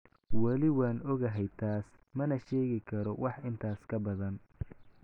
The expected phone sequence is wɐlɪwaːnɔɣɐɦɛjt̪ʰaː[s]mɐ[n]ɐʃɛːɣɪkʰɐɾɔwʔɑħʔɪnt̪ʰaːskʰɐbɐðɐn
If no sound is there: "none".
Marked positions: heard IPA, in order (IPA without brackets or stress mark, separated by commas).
s, n